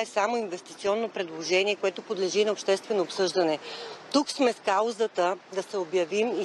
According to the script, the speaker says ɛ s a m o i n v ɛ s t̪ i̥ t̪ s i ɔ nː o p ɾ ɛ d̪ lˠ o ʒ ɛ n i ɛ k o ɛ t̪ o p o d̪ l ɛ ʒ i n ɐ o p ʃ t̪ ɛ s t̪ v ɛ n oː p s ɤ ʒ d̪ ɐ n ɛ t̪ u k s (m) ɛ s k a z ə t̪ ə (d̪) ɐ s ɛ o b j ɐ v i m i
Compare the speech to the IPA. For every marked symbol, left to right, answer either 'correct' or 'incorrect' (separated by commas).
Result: correct, correct